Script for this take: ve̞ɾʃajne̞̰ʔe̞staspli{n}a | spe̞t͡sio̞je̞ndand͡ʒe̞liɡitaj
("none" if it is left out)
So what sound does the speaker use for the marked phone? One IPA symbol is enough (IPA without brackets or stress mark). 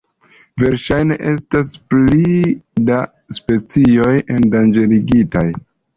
d